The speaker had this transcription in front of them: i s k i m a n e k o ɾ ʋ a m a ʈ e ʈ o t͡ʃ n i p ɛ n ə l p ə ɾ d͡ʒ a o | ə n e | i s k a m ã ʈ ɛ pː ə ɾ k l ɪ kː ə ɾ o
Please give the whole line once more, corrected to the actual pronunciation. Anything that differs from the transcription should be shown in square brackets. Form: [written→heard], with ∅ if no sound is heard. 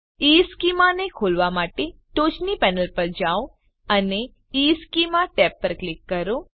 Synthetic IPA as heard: i s k i m a n e [k→kʰ] o [ɾ→l] ʋ a m a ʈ e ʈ o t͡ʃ n i p ɛ n ə l p ə ɾ d͡ʒ a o | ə n e | i s k [a→i] m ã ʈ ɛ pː ə ɾ k l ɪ kː ə ɾ o